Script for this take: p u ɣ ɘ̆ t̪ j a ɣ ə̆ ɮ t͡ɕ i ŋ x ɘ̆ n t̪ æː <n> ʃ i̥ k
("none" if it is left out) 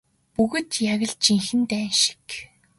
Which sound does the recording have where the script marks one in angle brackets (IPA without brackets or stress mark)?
n